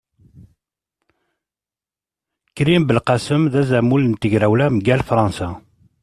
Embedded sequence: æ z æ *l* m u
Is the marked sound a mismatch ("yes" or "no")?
yes